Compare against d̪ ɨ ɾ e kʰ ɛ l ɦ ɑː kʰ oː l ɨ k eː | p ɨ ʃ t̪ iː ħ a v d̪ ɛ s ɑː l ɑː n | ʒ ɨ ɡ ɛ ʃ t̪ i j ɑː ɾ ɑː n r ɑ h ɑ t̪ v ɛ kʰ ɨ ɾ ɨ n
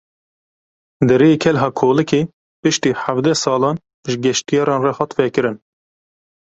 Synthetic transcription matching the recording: d̪ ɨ ɾ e kʰ ɛ l ɦ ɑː kʰ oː l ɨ k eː | p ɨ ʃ t̪ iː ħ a v d̪ ɛ s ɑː l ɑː n | ʒ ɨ ɡ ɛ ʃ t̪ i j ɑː ɾ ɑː n r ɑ h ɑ t̪ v ɛ k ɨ ɾ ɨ n